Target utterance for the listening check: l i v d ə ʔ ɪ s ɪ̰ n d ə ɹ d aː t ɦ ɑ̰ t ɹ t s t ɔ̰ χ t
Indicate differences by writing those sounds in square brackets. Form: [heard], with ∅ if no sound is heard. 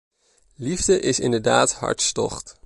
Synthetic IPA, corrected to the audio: l i v d ə ʔ ɪ s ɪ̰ n d ə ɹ d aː t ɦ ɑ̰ [∅] ɹ t s t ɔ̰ χ t